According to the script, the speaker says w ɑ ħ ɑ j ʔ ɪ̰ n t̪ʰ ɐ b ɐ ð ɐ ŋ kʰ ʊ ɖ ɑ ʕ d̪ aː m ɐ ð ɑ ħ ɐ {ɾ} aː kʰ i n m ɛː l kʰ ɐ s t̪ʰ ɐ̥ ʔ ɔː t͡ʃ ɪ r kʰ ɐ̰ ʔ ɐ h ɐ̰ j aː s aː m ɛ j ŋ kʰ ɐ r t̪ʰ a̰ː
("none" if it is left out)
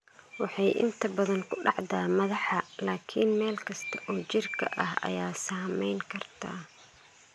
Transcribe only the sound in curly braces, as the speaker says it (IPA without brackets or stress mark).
l